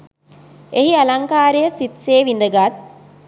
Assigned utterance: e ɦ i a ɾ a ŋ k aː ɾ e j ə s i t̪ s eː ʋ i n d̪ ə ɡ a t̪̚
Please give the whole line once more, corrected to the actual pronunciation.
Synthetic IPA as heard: e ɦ i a l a ŋ k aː ɾ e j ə s i t̪ s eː ʋ i n d̪ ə ɡ a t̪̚